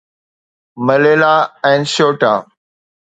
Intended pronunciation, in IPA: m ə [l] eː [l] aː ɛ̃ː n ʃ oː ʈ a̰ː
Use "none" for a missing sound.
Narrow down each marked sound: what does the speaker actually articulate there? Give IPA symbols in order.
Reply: l, l

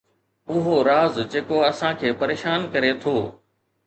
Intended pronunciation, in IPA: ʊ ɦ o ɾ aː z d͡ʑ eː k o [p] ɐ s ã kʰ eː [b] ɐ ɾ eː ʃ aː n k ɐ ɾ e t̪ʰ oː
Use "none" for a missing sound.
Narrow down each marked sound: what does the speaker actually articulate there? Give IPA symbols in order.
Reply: none, p

